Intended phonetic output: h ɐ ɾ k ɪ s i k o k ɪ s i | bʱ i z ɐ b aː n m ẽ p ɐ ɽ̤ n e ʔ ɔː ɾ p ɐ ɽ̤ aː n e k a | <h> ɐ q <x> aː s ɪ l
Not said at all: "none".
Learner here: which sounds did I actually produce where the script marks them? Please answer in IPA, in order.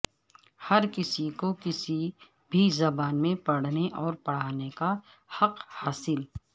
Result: h, h

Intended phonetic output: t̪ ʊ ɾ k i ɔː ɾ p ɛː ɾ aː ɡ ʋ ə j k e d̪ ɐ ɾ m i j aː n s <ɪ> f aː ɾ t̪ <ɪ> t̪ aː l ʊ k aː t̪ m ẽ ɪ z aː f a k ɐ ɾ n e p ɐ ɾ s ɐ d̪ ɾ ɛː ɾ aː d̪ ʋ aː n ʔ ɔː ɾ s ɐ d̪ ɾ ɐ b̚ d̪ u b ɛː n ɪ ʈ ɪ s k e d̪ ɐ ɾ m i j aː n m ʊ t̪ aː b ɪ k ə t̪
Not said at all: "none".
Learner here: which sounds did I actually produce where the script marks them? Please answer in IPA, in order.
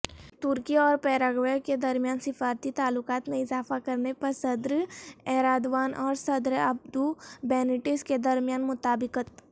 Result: ɪ, i

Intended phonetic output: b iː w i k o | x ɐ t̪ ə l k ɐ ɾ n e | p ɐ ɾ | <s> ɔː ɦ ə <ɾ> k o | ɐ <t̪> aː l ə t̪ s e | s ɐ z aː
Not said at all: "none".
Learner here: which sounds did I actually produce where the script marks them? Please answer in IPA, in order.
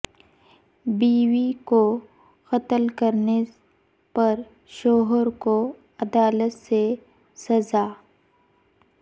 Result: ʃ, ɾ, d̪

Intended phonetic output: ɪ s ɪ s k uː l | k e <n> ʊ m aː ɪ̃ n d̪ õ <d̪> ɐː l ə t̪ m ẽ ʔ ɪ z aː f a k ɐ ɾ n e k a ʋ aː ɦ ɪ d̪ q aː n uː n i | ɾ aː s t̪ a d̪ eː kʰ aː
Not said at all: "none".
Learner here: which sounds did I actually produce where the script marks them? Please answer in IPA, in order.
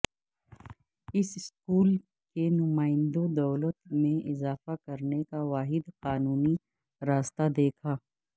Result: n, d̪

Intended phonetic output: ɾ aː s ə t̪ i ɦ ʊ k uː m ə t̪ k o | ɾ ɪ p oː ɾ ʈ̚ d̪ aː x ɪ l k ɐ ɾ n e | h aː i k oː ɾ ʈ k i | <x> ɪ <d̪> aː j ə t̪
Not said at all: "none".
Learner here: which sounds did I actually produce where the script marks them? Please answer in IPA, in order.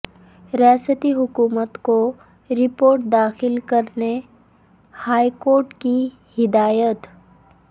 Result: h, d̪

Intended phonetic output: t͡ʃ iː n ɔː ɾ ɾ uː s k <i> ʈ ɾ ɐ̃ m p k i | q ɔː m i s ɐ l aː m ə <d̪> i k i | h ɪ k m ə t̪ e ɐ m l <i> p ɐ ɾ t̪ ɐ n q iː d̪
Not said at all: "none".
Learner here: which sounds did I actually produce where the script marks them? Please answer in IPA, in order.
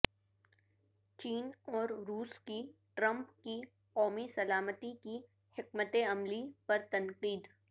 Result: i, t̪, i

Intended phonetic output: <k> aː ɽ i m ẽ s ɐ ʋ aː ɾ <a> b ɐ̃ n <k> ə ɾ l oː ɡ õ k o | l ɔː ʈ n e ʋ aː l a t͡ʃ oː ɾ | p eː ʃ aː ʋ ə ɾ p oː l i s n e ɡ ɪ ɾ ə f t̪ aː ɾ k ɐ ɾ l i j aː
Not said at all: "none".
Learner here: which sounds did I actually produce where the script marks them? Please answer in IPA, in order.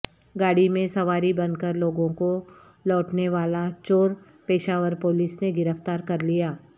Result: ɡ, i, k

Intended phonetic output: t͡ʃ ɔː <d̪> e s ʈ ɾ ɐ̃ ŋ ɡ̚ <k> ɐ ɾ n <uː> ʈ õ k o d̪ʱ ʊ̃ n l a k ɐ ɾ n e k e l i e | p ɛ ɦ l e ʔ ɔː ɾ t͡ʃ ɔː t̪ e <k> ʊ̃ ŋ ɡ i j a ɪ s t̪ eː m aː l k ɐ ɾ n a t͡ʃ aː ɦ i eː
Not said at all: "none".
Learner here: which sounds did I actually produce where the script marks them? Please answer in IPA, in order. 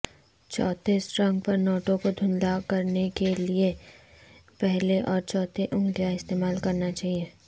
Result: t̪, p, ɔː, ʔ

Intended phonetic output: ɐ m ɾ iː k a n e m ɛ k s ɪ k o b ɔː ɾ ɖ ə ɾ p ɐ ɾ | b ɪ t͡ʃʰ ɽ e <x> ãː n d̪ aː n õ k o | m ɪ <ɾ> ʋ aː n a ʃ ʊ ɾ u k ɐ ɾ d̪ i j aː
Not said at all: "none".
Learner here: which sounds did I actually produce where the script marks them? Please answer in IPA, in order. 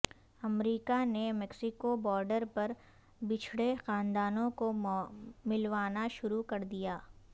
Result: x, l

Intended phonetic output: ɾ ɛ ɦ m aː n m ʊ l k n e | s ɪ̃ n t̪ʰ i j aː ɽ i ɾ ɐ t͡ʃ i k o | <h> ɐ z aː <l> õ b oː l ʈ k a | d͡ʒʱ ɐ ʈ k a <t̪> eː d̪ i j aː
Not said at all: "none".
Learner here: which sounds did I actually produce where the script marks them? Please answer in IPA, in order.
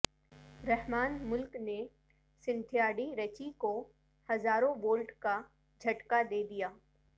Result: h, ɾ, d̪

